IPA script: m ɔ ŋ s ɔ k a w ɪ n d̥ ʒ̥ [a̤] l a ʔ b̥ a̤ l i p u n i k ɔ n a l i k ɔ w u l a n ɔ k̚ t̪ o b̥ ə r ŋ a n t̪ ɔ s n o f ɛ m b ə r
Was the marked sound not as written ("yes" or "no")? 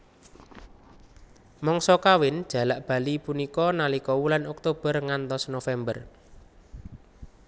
no